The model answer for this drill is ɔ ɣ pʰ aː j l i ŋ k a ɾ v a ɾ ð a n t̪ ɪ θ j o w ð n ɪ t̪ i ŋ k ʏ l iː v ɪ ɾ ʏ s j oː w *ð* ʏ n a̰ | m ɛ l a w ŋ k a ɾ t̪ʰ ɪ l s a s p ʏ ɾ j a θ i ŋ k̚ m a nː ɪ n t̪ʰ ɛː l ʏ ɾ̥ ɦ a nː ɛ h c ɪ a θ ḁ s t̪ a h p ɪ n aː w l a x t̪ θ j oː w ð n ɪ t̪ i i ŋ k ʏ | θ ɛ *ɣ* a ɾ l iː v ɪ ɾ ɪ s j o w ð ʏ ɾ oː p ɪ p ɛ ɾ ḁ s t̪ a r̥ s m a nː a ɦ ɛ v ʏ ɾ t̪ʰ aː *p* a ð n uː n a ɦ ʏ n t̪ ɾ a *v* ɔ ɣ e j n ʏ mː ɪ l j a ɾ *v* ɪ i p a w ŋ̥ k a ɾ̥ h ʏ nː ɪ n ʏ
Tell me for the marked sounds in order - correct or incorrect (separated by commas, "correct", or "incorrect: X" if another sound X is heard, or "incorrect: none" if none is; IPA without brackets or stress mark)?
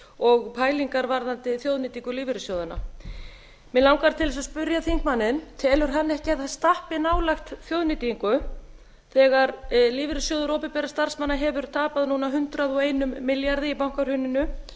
correct, correct, correct, incorrect: ð, incorrect: ð